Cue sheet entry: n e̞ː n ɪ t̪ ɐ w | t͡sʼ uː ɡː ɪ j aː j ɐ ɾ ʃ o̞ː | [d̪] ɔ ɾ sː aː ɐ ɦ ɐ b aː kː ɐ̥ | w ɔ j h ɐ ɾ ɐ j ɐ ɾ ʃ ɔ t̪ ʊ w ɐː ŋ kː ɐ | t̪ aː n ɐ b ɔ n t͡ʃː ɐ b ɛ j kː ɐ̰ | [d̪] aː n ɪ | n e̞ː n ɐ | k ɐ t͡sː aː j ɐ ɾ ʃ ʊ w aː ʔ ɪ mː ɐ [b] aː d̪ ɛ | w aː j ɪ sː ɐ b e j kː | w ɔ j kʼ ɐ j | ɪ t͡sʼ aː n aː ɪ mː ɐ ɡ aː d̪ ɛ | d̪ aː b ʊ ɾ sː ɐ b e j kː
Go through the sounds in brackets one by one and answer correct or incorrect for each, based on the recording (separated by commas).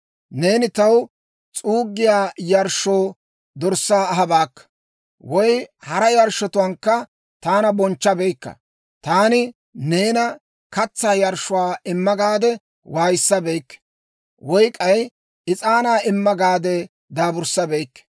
correct, incorrect, incorrect